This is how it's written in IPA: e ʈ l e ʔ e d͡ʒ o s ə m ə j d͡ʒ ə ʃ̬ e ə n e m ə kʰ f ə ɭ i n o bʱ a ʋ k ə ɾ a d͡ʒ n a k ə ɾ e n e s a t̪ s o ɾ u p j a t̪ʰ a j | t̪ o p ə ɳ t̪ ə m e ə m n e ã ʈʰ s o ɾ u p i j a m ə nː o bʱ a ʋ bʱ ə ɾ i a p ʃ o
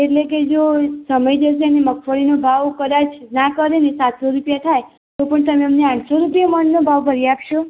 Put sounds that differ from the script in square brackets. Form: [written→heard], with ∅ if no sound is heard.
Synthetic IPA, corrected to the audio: e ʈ l e [ʔ→k] e d͡ʒ o s ə m ə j d͡ʒ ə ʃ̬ e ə n e m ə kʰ f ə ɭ i n o bʱ a ʋ k ə ɾ a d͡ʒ n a k ə ɾ e n e s a t̪ s o ɾ u p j a t̪ʰ a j | t̪ o p ə ɳ t̪ ə m e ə m n e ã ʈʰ s o ɾ u p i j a m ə nː o bʱ a ʋ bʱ ə ɾ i a p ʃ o